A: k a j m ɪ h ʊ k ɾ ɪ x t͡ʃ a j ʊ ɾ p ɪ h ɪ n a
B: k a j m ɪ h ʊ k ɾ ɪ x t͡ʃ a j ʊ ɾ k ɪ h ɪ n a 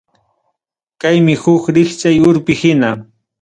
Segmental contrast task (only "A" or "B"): A